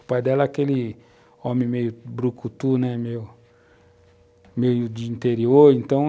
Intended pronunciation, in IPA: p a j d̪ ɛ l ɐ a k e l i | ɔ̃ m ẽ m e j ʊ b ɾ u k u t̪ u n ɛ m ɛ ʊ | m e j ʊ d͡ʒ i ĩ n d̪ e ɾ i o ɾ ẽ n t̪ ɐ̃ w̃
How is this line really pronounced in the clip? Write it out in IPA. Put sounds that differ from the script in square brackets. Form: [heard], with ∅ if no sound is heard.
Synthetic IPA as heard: p a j d̪ ɛ l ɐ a k e l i | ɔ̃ m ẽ m e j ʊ b ɾ u k u t̪ u n ɛ m [e] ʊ | m e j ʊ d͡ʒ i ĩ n [t̪] e ɾ i o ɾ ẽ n t̪ ɐ̃ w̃